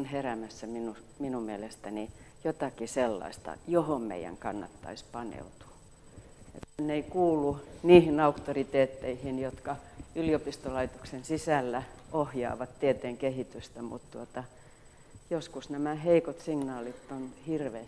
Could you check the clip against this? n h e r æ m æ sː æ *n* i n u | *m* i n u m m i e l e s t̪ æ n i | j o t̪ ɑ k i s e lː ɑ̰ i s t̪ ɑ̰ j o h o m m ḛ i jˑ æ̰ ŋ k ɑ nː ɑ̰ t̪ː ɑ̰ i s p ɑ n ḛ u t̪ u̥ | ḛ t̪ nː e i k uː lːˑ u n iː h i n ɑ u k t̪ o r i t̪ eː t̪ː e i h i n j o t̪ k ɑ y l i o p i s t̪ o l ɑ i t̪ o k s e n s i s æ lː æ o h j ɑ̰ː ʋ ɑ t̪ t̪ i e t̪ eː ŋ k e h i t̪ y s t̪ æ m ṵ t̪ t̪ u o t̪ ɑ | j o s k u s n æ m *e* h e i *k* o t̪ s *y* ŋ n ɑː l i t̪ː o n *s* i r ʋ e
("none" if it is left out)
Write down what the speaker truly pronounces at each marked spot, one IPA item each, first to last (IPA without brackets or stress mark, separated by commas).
m, m, æ, k, i, h